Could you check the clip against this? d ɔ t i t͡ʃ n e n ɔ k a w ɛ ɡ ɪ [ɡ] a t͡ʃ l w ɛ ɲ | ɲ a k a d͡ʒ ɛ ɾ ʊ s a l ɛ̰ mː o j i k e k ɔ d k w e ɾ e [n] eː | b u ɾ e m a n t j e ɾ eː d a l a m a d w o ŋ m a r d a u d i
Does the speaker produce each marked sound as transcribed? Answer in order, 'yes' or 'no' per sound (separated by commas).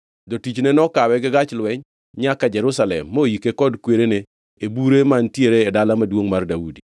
yes, yes